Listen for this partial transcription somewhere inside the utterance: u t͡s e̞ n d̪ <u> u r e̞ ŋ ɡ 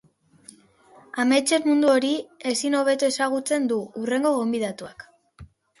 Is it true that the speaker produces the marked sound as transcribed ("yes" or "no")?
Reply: yes